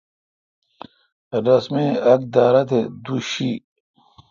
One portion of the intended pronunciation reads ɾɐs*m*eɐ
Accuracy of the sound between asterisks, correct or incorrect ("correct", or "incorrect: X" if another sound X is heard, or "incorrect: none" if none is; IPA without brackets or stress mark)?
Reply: correct